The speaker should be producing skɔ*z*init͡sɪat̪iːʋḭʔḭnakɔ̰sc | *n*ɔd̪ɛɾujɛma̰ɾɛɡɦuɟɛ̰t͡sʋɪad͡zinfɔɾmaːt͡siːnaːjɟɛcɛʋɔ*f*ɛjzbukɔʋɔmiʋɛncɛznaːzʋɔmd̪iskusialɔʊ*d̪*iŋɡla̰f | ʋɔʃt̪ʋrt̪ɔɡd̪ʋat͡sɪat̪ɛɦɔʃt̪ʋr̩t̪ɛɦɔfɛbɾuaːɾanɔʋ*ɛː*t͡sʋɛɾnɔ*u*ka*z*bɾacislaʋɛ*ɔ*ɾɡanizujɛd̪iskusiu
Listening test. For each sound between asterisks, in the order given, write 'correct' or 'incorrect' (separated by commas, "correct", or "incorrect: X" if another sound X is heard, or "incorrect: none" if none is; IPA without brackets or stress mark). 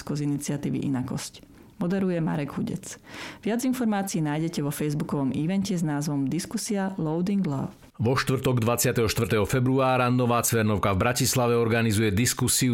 correct, incorrect: m, correct, correct, incorrect: aː, incorrect: ʊ, incorrect: v, correct